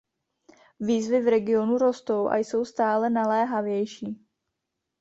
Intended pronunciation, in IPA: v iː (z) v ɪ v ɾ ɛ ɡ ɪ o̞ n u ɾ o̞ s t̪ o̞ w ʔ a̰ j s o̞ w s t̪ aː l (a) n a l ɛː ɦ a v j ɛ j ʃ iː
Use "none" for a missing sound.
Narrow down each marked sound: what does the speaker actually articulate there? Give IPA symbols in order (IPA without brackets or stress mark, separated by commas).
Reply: z, ɛ